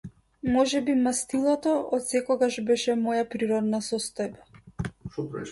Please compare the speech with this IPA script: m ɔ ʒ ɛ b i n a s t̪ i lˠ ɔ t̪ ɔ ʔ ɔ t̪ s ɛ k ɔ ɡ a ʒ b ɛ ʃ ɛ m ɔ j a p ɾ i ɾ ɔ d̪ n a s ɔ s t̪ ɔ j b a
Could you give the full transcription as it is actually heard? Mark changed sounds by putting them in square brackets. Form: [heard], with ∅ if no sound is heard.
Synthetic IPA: m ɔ ʒ ɛ b i [m] a s t̪ i lˠ ɔ t̪ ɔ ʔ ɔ t̪ s ɛ k ɔ ɡ a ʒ b ɛ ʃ ɛ m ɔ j a p ɾ i ɾ ɔ d̪ n a s ɔ s t̪ ɔ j b a